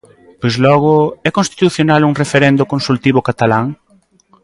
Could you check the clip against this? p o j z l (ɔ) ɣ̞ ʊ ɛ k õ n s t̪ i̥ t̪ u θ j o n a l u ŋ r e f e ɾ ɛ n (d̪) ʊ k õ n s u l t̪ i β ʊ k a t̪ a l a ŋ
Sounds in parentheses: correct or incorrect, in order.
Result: correct, correct

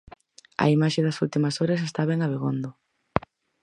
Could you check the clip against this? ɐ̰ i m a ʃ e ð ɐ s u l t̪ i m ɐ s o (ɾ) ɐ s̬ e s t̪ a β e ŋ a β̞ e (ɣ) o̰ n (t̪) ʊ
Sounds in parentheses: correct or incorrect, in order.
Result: correct, correct, incorrect: d̪

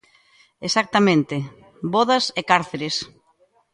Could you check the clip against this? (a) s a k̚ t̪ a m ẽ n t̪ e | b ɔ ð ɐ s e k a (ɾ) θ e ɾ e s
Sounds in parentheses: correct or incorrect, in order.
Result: incorrect: e, correct

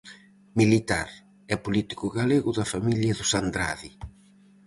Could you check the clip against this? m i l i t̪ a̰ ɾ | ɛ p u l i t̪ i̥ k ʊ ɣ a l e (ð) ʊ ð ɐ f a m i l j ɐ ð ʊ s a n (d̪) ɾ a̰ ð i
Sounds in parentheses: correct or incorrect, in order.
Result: incorrect: ɣ, correct

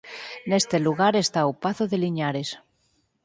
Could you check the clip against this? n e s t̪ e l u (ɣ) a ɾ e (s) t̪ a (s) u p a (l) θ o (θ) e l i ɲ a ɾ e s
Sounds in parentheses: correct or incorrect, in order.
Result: correct, correct, incorrect: none, incorrect: none, incorrect: ð

